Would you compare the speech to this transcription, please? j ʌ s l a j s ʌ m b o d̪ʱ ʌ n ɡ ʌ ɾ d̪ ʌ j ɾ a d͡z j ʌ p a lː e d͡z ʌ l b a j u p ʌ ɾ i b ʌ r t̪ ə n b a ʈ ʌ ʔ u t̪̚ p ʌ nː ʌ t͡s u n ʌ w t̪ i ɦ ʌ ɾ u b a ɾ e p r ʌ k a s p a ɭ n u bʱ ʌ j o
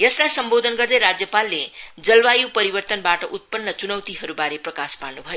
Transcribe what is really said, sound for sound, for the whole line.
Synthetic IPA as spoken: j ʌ s l a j s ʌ m b o d̪ʱ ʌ n ɡ ʌ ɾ d̪ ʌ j ɾ a d͡z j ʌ p a lː e d͡z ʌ l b a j u p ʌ ɾ i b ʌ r t̪ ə n b a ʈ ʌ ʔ u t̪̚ p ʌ nː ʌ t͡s u n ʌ w t̪ i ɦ ʌ ɾ u b a ɾ e p r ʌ k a s p a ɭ n u bʱ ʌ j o